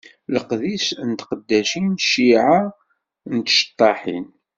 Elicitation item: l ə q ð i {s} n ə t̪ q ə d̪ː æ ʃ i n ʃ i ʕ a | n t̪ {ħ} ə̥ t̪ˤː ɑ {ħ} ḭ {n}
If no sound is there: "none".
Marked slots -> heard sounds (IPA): s, ʃ, ħ, n

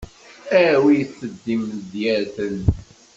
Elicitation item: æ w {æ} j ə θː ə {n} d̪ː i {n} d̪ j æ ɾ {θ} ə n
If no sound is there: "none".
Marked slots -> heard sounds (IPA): i, none, m, θ

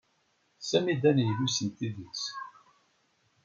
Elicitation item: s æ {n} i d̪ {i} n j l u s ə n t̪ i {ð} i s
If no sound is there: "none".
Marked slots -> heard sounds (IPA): m, æ, ð

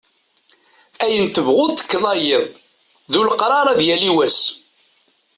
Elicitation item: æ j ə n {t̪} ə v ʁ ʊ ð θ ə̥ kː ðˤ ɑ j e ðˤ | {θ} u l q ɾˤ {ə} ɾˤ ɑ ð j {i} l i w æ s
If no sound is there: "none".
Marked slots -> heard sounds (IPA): t̪, ð, ɑ, æ

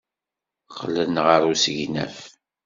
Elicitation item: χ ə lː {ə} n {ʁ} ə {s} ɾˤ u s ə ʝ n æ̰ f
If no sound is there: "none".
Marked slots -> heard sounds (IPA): ə, ʁ, none

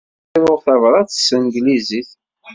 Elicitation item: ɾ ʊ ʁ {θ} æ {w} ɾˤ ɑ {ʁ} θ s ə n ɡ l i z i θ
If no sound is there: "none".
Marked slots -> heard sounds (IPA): θ, v, none

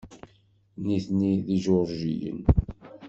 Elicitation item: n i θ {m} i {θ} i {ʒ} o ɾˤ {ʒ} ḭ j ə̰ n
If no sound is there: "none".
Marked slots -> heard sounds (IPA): n, ð, ʒ, ʒ

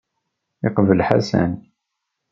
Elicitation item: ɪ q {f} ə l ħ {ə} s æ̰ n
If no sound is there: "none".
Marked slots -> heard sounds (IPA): v, a

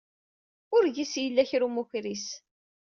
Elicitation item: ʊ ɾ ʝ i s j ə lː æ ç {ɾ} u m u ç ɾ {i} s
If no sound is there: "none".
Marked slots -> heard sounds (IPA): ɾ, i

